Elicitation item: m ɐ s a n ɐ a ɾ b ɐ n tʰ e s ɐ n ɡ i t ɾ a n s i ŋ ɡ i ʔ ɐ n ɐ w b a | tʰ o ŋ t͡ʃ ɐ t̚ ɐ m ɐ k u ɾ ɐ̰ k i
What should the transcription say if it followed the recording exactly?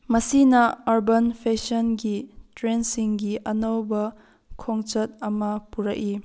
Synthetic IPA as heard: m ɐ s i n ɐ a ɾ b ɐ n pʰ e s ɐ n ɡ i t ɾ e n s i ŋ ɡ i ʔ ɐ n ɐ w b ɐ | kʰ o ŋ t͡ʃ ɐ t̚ ɐ m ɐ p u ɾ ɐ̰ k i

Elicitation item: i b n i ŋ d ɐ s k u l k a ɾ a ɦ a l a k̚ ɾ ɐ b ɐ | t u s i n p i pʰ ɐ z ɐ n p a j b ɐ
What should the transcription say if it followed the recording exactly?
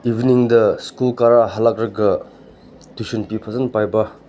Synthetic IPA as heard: i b n i ŋ d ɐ s k u l k a ɾ a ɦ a l a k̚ ɾ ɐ ɡ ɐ | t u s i n p i pʰ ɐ z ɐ n p a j b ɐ

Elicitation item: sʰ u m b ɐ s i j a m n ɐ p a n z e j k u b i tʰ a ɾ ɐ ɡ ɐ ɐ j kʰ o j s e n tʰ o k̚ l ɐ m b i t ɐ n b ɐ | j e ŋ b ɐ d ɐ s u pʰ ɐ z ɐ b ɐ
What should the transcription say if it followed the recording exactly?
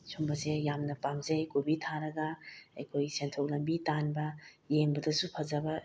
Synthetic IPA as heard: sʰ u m b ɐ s e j a m n ɐ p a m z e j k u b i tʰ a ɾ ɐ ɡ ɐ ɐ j kʰ o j s e n tʰ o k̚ l ɐ m b i t a n b ɐ | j e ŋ b ɐ d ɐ s u pʰ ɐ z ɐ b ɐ

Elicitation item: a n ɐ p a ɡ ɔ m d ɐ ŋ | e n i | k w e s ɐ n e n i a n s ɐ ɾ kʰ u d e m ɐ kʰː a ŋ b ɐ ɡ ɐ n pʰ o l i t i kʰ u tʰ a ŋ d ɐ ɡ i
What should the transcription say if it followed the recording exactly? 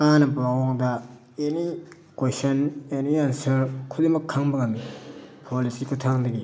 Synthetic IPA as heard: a n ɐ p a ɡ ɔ ŋ d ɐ | e n i | k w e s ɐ n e n i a n s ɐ ɾ kʰ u d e m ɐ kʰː a ŋ b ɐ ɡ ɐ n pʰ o l i s i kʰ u tʰ a ŋ d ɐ ɡ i

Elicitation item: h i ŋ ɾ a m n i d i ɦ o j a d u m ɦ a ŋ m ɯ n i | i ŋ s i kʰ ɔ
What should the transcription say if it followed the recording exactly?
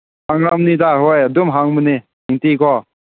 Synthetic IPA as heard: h a ŋ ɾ a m n i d a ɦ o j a d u m ɦ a ŋ m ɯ n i | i ŋ t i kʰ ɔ

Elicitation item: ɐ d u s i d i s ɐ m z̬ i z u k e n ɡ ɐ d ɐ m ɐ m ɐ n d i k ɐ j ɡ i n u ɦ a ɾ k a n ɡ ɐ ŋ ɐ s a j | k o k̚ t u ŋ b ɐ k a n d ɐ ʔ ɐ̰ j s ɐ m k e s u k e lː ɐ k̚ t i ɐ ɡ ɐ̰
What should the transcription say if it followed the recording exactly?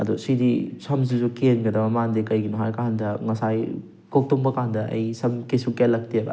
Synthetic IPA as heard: ɐ d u s i d i s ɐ m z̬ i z u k e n ɡ ɐ d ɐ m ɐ m a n d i k ɐ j ɡ i n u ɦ a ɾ k a n d ɐ ŋ ɐ s a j | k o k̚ t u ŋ b ɐ k a n d ɐ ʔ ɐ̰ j s ɐ m k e s u k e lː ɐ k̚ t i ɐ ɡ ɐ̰

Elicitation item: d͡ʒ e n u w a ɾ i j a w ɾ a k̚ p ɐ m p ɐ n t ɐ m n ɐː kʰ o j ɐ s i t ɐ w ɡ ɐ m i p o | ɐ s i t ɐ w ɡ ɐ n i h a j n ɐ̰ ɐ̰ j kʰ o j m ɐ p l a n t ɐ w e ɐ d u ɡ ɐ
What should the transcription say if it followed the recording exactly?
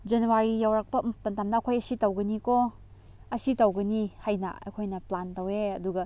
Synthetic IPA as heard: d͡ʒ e n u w a ɾ i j a w ɾ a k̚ p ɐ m p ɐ n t a m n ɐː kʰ o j ɐ s i t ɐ w ɡ ɐ n i k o | ɐ s i t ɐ w ɡ ɐ n i h a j n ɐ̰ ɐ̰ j kʰ o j n ɐ p l a n t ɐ w e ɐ d u ɡ ɐ

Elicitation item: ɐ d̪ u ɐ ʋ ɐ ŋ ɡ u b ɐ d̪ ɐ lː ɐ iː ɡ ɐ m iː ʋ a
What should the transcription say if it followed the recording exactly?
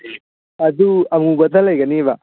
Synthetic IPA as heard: ɐ d̪ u ɐ ʋ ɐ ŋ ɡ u b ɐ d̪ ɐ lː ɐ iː ɡ ɐ n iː ʋ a

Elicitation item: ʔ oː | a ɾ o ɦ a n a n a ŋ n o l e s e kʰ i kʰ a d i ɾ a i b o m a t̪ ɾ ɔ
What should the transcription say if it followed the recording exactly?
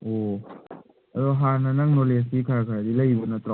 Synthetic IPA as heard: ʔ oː | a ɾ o ɦ a n a n a ŋ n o l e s i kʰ a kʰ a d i l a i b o n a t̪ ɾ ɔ

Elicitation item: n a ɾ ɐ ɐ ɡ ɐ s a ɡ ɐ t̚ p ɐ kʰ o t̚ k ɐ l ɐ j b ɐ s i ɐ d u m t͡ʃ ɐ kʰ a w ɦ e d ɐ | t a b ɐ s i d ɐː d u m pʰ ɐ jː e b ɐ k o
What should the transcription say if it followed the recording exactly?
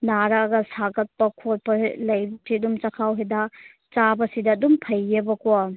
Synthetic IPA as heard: n a ɾ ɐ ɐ ɡ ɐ s a ɡ ɐ t̚ p ɐ kʰ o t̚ p ɐ l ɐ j b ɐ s i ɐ d u m t͡ʃ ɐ kʰ a w ɦ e d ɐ | t͡ʃ a b ɐ s i d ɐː d u m pʰ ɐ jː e b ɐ k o

